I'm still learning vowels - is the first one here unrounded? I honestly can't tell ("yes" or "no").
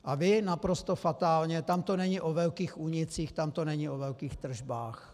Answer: yes